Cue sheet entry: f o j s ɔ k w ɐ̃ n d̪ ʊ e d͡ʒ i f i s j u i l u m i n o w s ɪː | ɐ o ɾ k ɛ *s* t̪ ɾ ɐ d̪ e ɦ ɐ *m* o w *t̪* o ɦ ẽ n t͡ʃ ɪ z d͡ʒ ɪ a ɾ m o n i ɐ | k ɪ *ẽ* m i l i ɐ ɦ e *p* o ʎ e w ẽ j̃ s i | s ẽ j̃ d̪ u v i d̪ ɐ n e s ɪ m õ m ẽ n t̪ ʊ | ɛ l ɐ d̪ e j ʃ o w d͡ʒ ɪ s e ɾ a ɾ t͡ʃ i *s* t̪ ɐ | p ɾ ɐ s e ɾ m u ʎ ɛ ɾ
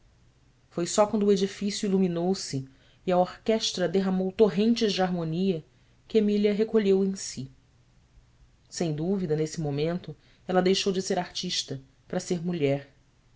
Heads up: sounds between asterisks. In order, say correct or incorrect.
incorrect, correct, correct, incorrect, incorrect, incorrect

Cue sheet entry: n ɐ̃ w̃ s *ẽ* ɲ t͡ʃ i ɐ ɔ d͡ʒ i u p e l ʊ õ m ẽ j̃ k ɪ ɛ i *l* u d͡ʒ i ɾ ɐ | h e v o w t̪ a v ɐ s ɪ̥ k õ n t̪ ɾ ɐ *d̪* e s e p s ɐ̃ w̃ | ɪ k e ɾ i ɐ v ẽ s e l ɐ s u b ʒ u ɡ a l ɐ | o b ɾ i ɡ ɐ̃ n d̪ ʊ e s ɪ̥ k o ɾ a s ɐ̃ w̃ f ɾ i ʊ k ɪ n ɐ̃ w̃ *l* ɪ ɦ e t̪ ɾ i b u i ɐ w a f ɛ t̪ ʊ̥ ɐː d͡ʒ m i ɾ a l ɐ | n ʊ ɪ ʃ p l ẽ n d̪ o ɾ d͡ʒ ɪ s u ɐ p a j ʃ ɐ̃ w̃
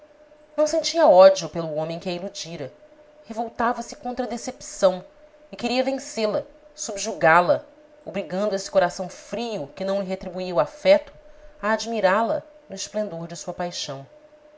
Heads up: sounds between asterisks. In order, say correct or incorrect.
correct, correct, correct, correct

